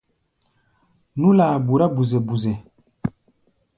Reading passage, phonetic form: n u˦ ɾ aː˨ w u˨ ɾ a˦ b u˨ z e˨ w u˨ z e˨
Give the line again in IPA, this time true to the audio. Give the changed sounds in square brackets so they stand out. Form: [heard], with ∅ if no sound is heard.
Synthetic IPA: n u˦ [l] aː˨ [b] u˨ ɾ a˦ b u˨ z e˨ [b] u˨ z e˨

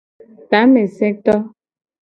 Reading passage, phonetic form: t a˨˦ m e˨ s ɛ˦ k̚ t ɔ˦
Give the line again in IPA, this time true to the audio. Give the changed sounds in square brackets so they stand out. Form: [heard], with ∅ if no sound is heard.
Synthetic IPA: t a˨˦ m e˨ s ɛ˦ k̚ t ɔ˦

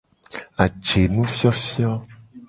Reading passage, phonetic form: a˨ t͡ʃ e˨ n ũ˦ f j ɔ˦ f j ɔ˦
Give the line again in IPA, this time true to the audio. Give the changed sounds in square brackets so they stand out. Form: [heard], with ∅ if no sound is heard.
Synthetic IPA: a˨ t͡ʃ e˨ n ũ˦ f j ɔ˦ f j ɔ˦

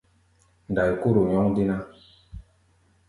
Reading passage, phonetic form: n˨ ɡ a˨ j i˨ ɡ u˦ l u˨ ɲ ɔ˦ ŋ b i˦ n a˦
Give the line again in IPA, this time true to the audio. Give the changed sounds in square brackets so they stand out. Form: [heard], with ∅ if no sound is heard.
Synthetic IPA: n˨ [d] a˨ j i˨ [k] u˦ [ɾ] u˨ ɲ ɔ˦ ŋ [d] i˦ n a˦

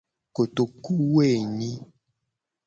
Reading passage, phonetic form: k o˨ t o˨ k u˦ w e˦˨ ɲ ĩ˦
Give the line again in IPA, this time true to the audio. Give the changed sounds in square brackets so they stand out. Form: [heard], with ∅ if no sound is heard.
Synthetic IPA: k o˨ t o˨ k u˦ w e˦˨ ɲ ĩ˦

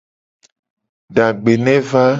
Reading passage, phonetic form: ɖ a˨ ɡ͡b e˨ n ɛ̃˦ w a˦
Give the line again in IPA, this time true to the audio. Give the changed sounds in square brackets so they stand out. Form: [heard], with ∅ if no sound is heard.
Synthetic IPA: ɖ a˨ ɡ͡b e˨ n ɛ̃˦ [v] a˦

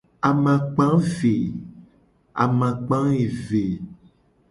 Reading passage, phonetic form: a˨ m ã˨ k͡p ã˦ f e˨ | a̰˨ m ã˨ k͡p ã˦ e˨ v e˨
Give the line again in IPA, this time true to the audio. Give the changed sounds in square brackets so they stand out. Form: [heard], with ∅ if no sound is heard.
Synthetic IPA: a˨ m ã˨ k͡p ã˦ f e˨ | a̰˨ m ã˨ k͡p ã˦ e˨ v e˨

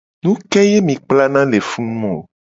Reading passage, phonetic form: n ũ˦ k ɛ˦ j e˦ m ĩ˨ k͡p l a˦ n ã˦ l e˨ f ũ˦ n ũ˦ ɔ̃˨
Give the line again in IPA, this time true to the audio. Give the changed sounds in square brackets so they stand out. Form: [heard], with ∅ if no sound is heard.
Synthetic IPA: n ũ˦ k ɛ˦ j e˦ m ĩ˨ k͡p l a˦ n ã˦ l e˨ f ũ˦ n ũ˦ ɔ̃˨

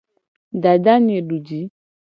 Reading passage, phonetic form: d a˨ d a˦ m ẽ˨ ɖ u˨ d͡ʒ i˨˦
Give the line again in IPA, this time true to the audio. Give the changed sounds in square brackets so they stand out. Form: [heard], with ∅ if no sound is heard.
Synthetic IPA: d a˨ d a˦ [ɲ] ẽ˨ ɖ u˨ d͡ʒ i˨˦

